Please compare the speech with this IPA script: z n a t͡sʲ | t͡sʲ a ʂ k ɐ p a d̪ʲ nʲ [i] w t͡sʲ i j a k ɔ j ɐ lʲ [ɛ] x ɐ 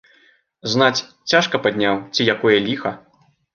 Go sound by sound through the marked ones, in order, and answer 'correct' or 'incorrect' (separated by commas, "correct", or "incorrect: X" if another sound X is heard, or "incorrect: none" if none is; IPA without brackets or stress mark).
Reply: incorrect: a, incorrect: i